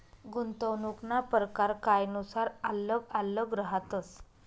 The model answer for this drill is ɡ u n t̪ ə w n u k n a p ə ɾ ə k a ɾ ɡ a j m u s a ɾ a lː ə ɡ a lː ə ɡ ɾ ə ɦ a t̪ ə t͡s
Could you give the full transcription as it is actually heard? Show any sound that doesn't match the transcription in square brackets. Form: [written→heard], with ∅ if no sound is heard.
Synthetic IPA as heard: ɡ u n t̪ ə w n u k n a p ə ɾ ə k a ɾ [ɡ→k] a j [m→n] u s a ɾ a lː ə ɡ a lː ə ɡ ɾ ə ɦ a t̪ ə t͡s